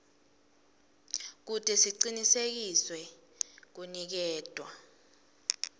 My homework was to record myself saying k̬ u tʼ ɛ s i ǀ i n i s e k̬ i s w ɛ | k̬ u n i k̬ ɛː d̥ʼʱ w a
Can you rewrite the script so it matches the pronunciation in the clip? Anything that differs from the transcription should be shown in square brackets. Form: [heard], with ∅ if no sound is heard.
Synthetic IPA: k̬ u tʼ ɛ s i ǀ i n i s e k̬ i s w ɛ | k̬ u n i k̬ ɛː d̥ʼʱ w a